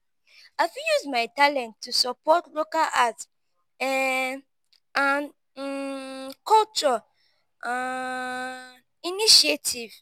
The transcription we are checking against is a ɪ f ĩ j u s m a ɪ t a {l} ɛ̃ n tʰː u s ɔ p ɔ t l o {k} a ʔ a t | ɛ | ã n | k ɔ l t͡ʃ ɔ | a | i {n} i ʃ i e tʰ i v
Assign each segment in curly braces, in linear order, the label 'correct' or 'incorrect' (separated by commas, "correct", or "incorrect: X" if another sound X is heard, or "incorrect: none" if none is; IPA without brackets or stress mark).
correct, correct, correct